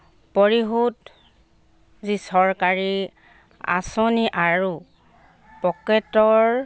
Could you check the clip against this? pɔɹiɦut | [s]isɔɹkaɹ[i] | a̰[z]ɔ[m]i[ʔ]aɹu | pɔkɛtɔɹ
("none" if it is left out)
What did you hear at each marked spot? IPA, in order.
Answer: z, i, s, n, ʔ

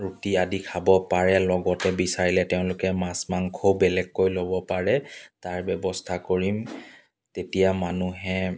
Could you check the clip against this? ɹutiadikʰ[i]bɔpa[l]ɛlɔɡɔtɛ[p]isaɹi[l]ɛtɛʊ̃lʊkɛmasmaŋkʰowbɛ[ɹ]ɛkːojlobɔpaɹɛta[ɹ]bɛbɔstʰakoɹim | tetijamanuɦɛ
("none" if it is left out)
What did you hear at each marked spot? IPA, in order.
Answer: a, ɹ, b, l, l, ɹ

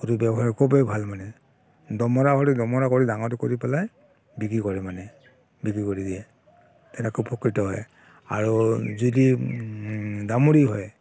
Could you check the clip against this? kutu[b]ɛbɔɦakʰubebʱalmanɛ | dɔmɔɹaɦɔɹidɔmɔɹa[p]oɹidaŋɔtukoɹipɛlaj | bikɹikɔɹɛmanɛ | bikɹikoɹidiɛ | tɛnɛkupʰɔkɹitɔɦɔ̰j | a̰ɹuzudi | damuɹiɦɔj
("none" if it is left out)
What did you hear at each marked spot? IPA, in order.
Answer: b, k

